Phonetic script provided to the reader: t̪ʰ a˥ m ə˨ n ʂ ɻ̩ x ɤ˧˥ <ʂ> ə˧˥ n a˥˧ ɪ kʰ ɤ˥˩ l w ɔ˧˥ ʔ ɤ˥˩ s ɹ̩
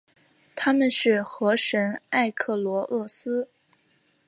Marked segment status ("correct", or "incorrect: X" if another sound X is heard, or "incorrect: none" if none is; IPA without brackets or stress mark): correct